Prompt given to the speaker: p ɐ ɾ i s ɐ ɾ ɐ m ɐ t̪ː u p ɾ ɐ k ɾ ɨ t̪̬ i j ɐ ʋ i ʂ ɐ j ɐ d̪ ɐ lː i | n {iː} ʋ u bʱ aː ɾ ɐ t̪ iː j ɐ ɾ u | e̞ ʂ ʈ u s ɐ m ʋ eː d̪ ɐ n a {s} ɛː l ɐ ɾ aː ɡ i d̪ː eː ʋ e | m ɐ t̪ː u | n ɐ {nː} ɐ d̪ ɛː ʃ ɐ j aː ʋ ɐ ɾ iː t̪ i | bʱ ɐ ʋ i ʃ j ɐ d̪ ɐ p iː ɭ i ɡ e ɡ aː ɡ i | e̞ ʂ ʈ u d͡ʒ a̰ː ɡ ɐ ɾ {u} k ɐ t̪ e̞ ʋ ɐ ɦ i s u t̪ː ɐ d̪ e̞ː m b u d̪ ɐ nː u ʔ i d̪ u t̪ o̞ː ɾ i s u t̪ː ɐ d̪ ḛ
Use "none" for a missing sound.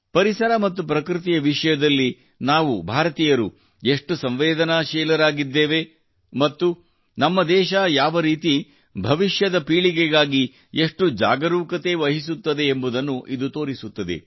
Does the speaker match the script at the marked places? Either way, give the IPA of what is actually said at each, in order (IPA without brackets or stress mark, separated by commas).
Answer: aː, ʃ, mː, uː